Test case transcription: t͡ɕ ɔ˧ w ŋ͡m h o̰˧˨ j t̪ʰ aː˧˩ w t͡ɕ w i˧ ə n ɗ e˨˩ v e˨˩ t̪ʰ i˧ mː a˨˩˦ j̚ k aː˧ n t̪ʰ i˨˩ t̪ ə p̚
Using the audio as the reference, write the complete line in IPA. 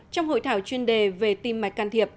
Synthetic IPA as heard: t͡ɕ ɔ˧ w ŋ͡m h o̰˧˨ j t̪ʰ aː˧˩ w t͡ɕ w i˧ ə n ɗ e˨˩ v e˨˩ t̪ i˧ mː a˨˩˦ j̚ k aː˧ n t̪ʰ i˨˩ ə p̚